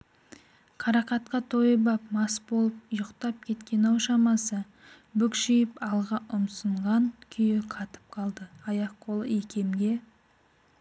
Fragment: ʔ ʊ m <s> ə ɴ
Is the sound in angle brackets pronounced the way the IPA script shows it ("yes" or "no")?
yes